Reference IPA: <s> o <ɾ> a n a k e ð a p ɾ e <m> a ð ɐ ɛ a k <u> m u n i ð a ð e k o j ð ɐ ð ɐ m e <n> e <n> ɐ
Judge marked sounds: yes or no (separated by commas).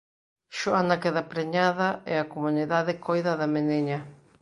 no, no, no, no, yes, no